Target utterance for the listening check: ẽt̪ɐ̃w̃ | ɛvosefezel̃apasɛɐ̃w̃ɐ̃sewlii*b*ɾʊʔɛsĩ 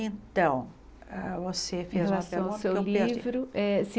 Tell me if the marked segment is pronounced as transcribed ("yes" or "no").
no